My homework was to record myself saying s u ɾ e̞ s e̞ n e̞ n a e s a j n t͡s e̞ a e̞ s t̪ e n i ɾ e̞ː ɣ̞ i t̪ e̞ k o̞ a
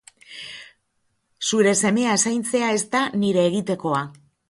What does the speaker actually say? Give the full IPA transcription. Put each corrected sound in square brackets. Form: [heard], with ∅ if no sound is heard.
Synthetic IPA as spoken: s u ɾ e̞ s e̞ [m] e̞ [∅] a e s a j n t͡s e̞ a e̞ s t̪ [a] n i ɾ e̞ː ɣ̞ i t̪ e̞ k o̞ a